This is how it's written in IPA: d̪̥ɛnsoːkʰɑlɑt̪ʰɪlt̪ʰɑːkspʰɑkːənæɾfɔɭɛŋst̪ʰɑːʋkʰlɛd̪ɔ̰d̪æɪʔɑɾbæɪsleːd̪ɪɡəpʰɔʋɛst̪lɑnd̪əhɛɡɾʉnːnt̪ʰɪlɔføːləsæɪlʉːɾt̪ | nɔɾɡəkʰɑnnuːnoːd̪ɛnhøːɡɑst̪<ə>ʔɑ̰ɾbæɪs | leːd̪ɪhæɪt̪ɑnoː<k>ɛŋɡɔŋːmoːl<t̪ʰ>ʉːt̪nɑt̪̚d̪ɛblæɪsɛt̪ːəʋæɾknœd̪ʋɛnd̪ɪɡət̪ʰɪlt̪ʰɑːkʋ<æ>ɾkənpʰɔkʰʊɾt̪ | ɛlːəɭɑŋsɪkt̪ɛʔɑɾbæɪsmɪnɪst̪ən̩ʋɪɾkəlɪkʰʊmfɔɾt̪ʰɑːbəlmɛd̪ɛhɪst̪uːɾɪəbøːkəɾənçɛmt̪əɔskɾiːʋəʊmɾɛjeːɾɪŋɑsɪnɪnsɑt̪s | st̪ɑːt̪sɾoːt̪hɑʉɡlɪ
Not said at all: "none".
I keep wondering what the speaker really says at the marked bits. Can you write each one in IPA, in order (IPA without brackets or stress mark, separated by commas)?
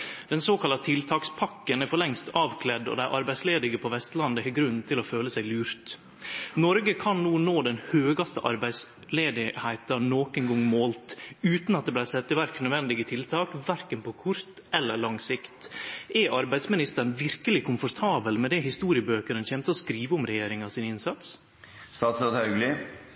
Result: ə, k, t̪, æ